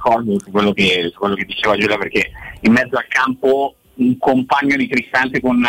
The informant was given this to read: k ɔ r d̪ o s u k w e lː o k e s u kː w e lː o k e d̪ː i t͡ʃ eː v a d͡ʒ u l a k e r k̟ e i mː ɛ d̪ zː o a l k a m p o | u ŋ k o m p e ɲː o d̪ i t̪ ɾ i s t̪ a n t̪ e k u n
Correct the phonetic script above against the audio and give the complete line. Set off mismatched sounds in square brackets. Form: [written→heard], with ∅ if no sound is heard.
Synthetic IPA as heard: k ɔ r d̪ o s u k w e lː o k e s u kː w e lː o k e d̪ː i t͡ʃ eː v a d͡ʒ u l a [k→p] e r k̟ e i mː ɛ d̪ zː o a l k a m p o | u ŋ k o m p [e→a] ɲː o d̪ i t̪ ɾ i s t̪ a n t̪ e k [u→o] n